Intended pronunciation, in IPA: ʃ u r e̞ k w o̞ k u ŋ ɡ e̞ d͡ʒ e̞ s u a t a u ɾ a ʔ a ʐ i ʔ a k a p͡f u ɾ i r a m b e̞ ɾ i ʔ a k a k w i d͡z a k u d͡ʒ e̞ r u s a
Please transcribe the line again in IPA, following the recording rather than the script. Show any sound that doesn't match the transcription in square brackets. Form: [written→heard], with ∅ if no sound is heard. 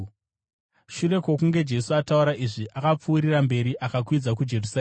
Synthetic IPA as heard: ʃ u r e̞ k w o̞ k u ŋ ɡ e̞ d͡ʒ e̞ s u a t a u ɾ a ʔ [a→i] ʐ i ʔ a k a p͡f [u→uː] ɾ i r a m b e̞ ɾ i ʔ a k a k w i d͡z a k u d͡ʒ e̞ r u s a

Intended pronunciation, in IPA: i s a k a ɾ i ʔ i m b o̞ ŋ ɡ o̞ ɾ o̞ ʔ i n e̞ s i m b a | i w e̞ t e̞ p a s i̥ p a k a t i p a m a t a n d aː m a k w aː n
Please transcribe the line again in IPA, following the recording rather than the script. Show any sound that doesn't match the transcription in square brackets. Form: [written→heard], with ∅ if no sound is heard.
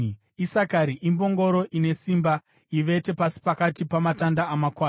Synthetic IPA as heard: i s a k a ɾ i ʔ i m b o̞ ŋ ɡ o̞ ɾ o̞ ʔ i n e̞ s i m b a | i [w→ʋ] e̞ t e̞ p a s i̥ p a k a t i p a m a t a n d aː m a k w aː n

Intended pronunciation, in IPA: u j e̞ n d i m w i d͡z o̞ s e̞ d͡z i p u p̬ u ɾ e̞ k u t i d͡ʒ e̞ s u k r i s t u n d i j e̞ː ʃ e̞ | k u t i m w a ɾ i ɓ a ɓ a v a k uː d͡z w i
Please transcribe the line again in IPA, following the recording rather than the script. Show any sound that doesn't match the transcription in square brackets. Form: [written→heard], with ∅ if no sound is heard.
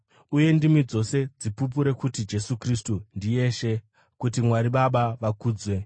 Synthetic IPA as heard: u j e̞ n d i m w i d͡z o̞ s e̞ d͡z i p u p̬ u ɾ e̞ k u t i d͡ʒ e̞ s u k r i s t u n d i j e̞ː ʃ e̞ | k u t i m w a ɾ i ɓ a ɓ a [v→ʋ] a k uː d͡z w [i→e]

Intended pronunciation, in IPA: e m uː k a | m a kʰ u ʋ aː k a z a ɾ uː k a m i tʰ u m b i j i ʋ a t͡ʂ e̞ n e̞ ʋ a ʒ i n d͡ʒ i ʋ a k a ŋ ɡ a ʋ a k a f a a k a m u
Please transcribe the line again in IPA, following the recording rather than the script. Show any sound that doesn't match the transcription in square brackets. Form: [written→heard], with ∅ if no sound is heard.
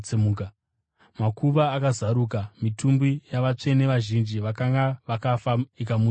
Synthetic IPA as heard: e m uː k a | m a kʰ u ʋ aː k a z a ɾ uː k a m i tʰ u m b i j [i→a] ʋ a t͡ʂ e̞ n e̞ ʋ a ʒ i n d͡ʒ i ʋ a k a ŋ ɡ a ʋ a k a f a [a→i] k a m u

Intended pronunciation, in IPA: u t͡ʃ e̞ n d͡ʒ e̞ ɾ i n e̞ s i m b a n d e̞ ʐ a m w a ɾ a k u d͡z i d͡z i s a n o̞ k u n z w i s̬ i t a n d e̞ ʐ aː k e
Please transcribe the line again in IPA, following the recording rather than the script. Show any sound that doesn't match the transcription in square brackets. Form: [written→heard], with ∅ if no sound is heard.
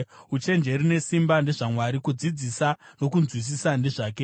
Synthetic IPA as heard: u t͡ʃ e̞ n d͡ʒ e̞ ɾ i n e̞ s i m b a n d e̞ ʐ a m w a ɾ [a→i] k u d͡z i d͡z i s a n o̞ k u n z w i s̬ i [t→s] a n d e̞ ʐ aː k e

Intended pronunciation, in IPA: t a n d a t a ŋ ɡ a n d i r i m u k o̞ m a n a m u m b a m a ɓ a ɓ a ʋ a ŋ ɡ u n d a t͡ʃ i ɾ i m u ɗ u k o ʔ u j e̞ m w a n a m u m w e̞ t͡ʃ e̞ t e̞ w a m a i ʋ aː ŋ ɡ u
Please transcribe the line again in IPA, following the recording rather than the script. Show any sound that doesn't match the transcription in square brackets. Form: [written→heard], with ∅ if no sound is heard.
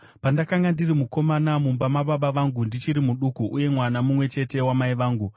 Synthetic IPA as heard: [t→p] a n d a [t→k] a ŋ ɡ a n d i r i m u k o̞ m a n a m u m b a m a ɓ a ɓ a ʋ a ŋ ɡ u n d [a→i] t͡ʃ i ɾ i m u ɗ u k [o→u] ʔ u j e̞ m w a n a m u m w e̞ t͡ʃ e̞ t e̞ w a m a i ʋ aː ŋ ɡ u

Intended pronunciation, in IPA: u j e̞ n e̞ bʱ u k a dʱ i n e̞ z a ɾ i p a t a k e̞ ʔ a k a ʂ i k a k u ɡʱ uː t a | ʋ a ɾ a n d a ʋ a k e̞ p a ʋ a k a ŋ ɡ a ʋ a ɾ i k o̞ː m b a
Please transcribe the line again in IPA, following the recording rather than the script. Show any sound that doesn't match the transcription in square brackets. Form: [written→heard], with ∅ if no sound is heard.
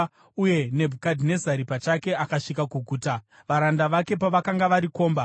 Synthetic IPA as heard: u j e̞ n e̞ bʱ u k a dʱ i n e̞ z a ɾ i p a [t→t͡ʃ] a k e̞ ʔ a k a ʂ i k a k u ɡʱ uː t a | ʋ a ɾ a n d a ʋ a k e̞ p a ʋ a k a ŋ ɡ a ʋ a ɾ i k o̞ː m b a

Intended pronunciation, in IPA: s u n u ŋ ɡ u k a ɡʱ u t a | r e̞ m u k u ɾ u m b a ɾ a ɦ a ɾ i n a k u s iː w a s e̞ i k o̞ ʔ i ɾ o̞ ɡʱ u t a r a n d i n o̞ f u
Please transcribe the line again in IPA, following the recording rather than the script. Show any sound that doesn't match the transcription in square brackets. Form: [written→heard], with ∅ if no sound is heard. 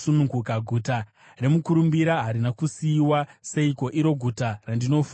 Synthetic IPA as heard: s u n u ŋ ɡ u k a ɡʱ u t a | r e̞ m u k u ɾ u m b [a→i] ɾ a ɦ a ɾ i n a k u s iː w a s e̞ i k o̞ ʔ i ɾ o̞ ɡʱ u t a r a n d i n o̞ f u

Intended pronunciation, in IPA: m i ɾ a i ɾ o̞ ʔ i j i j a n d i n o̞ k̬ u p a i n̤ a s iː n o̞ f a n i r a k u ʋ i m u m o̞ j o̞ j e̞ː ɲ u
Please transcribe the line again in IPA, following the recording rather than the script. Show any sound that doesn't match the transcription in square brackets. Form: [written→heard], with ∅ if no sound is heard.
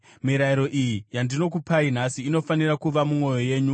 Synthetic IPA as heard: m i ɾ a i ɾ o̞ ʔ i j i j a n d i n o̞ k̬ u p a i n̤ a s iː n o̞ f a n i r a k u ʋ [i→a] m u m o̞ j o̞ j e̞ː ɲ u

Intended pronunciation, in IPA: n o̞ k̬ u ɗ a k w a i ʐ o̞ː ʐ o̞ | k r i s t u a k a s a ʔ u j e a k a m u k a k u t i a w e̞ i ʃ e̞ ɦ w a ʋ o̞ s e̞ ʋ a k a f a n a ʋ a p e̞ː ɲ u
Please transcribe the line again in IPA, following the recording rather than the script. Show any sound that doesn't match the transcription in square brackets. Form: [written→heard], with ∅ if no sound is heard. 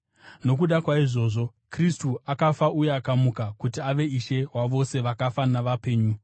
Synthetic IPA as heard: n o̞ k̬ u ɗ a k w a i ʐ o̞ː ʐ o̞ | k r i s t u a k a [s→f] a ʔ u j e a k a m u k a k u t i a [w→ʋ] e̞ i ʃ e̞ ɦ w a ʋ o̞ s e̞ ʋ a k a f a n a ʋ a p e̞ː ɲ u

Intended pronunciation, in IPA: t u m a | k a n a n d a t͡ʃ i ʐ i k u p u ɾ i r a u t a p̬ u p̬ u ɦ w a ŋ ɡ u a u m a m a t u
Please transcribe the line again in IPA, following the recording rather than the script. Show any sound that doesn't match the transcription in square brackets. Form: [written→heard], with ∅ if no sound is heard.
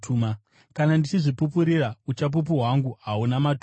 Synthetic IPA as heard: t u m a | k a n a n d [a→i] t͡ʃ i ʐ i [k→p] u p u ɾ i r a u [t→t͡ʃ] a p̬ u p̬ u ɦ w a ŋ ɡ u a u [m→n] a m a t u

